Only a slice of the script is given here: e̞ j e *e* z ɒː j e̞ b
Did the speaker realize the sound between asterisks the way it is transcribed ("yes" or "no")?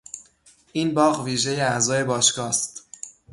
no